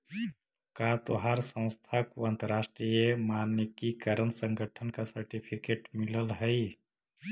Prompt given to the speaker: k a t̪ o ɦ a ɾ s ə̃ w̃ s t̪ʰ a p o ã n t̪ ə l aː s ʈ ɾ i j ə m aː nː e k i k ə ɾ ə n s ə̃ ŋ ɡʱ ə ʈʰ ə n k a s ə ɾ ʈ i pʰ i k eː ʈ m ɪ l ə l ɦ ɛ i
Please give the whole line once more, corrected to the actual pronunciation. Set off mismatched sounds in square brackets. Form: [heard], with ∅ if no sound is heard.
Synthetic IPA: k a t̪ o ɦ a ɾ s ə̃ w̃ s t̪ʰ a [k] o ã n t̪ ə [ɾ] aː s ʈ ɾ i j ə m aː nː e k i k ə ɾ ə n s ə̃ ŋ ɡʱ ə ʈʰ ə n k a s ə ɾ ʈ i pʰ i k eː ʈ m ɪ l ə l ɦ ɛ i